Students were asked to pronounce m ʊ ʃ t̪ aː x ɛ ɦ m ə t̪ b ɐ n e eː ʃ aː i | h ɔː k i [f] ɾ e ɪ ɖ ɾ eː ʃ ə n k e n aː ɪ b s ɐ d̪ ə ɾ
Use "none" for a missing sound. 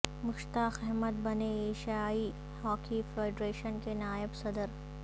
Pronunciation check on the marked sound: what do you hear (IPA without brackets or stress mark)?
f